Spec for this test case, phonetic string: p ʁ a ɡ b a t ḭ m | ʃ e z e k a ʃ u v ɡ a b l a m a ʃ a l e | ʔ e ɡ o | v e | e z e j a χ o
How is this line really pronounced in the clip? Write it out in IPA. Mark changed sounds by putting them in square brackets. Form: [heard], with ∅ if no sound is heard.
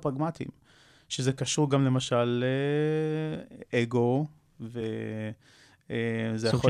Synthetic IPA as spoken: p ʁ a ɡ [m] a t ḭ m | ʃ e z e k a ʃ u [ʁ] ɡ a [m] l [e] m a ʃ a l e | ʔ e ɡ o | v e | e z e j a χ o